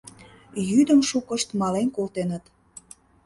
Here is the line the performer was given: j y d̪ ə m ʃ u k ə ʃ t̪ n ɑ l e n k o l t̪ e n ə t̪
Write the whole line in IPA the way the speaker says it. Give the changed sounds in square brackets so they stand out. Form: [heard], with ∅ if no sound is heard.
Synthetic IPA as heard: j y d̪ ə m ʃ u k ə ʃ t̪ [m] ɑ l e n k o l t̪ e n ə t̪